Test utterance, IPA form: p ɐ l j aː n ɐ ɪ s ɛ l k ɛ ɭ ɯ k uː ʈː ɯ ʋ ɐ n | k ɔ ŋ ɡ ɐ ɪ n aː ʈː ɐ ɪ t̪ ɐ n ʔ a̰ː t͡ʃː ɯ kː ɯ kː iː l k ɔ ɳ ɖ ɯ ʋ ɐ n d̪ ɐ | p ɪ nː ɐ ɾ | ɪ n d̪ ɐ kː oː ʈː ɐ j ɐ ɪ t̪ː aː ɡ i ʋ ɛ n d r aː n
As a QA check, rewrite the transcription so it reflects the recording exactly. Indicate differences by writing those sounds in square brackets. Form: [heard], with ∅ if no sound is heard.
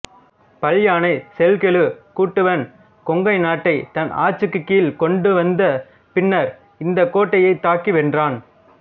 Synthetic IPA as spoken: p ɐ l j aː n ɐ ɪ s ɛ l k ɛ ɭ ɯ k uː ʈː ɯ ʋ ɐ n | k ɔ ŋ ɡ ɐ ɪ n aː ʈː ɐ ɪ t̪ ɐ n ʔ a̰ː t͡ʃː ɯ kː ɯ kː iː l k ɔ ɳ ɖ ɯ ʋ ɐ n d̪ ɐ | p ɪ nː ɐ ɾ | ɪ n d̪ ɐ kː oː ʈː ɐ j ɐ ɪ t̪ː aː [k] i ʋ ɛ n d r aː n